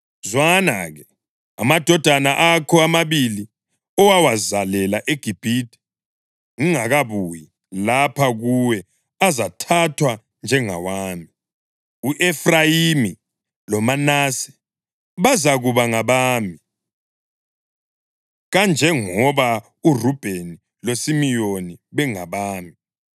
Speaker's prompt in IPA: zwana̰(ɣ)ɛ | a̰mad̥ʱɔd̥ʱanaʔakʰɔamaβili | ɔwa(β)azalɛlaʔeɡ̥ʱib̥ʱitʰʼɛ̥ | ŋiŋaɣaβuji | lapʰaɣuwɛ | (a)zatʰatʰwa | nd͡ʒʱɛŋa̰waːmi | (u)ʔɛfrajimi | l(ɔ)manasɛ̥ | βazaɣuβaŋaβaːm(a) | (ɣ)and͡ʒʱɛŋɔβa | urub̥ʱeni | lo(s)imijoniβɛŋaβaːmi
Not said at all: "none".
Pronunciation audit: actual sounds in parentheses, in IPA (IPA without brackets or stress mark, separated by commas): ɣ, w, a, u, ɔ, i, ɣ, s